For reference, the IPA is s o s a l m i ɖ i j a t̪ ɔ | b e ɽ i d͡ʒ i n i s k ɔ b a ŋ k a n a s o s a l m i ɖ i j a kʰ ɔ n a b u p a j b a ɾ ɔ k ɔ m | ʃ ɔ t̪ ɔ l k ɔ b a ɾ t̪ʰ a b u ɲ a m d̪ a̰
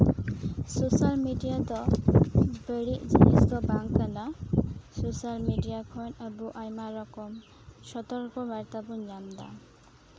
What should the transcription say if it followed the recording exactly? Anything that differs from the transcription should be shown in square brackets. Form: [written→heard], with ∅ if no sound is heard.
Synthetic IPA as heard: s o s a l m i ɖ i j a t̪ ɔ | b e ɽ i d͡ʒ i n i s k ɔ b a ŋ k a n a s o s a l m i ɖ i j a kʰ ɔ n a b u [p→ʔ] a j [b→m] a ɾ ɔ k ɔ m | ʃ ɔ t̪ ɔ [l→ɾ] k ɔ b a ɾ [t̪ʰ→t̪] a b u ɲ a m d̪ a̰

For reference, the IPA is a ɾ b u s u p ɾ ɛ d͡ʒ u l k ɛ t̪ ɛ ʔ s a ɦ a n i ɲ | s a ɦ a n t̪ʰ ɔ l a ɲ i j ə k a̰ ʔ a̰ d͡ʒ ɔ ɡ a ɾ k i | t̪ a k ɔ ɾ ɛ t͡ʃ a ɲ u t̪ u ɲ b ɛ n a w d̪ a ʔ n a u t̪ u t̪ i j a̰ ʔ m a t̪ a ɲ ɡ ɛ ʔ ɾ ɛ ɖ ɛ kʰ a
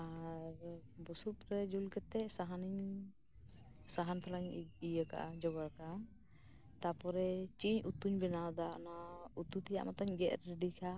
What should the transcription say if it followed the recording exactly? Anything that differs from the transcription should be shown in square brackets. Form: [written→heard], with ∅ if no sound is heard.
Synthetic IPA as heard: a ɾ b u s u p ɾ ɛ d͡ʒ u l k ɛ t̪ ɛ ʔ s a ɦ a n i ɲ | s a ɦ a n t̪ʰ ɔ l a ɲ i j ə k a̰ ʔ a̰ d͡ʒ ɔ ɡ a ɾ k [i→a] | t̪ a [k→p] ɔ ɾ ɛ t͡ʃ [a→i] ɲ u t̪ u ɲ b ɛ n a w d̪ a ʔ n a u t̪ u t̪ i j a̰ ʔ m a t̪ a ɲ ɡ ɛ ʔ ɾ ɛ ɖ [ɛ→i] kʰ a

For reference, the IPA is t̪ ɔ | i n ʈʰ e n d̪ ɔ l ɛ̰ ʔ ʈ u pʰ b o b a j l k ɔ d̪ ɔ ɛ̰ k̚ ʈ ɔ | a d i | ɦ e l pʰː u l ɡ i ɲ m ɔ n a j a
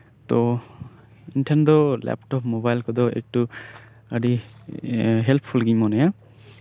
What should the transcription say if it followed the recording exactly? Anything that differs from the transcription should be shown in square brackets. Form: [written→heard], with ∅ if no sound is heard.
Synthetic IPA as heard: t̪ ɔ | i n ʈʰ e n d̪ ɔ l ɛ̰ [ʔ→p] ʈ [u→ɔ] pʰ [b→m] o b a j l k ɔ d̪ ɔ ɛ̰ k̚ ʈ [ɔ→u] | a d i | ɦ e l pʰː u l ɡ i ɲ m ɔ n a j a

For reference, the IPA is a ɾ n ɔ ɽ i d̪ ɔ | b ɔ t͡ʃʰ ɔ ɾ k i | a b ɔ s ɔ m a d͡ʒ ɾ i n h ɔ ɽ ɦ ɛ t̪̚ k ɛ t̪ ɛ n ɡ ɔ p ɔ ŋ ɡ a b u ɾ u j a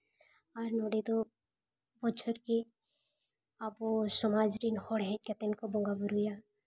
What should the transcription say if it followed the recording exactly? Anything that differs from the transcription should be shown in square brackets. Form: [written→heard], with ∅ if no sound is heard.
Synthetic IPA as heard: a ɾ n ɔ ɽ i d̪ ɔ | b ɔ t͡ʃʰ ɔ ɾ k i | a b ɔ s ɔ m a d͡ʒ ɾ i n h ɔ ɽ ɦ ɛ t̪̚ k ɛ t̪ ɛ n [ɡ→k] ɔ [p→b] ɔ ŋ ɡ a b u ɾ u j a

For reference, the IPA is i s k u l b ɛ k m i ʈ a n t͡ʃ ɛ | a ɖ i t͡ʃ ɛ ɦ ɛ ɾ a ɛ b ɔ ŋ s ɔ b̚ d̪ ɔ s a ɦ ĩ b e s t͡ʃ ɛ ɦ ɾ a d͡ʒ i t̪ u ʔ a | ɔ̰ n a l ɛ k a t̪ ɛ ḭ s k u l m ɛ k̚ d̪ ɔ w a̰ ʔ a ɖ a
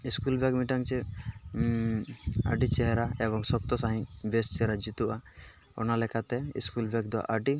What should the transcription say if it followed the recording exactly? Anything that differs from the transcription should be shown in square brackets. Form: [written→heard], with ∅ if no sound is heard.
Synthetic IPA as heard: i s k u l b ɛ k m i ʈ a [n→ŋ] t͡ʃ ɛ | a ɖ i t͡ʃ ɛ ɦ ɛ ɾ a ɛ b ɔ ŋ s ɔ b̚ [d̪→t̪] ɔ s a ɦ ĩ b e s t͡ʃ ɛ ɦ ɾ a d͡ʒ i t̪ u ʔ a | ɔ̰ n a l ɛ k a t̪ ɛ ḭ s k u l [m→b] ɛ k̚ d̪ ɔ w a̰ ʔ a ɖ [a→i]

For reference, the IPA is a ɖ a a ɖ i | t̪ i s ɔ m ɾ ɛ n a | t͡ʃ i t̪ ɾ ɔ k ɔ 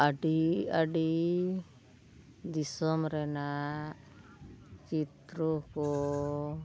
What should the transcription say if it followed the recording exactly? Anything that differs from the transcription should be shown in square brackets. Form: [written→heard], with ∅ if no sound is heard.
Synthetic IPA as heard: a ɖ [a→i] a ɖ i | [t̪→d̪] i s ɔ m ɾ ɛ n a | t͡ʃ i t̪ ɾ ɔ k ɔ

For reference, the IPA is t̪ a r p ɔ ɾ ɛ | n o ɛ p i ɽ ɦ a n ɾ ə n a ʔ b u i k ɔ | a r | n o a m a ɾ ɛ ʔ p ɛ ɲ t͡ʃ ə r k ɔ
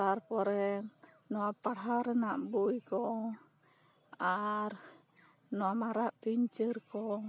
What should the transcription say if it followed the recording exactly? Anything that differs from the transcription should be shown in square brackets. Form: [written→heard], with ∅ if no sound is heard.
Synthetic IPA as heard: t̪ a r p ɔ ɾ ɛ | n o [ɛ→a] p [i→a] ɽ ɦ a [n→∅] ɾ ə n a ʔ b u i k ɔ | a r | n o a m a ɾ [ɛ→a] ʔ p [ɛ→i] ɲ t͡ʃ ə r k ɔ

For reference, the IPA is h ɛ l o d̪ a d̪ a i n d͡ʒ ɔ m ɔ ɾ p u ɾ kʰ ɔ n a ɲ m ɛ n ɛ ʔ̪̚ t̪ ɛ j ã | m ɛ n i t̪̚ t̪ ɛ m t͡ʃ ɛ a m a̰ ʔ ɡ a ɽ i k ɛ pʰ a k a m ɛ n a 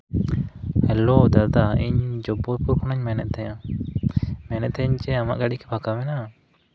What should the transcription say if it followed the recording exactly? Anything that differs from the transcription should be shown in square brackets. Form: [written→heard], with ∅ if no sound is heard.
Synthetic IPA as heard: h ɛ l o d̪ a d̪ a i [n→ɲ] d͡ʒ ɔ [m→b] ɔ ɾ p u ɾ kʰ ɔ n a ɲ m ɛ n ɛ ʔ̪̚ t̪ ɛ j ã | m ɛ n [i→ɛ] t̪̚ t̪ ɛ [m→ɲ] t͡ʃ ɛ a m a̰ ʔ ɡ a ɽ i k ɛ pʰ a k a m ɛ n a

